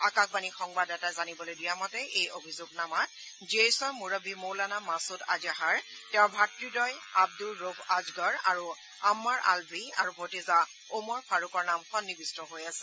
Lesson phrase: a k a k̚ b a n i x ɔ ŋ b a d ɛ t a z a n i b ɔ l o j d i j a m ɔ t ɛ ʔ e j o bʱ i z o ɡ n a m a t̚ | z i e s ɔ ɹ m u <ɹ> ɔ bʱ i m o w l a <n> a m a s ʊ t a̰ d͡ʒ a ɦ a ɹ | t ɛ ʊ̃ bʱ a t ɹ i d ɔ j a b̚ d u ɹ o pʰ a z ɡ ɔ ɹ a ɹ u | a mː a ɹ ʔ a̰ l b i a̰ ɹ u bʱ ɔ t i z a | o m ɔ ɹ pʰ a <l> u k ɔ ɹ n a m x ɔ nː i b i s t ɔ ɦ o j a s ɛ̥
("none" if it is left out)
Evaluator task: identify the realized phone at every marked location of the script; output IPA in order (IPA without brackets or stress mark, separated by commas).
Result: ɹ, n, ɹ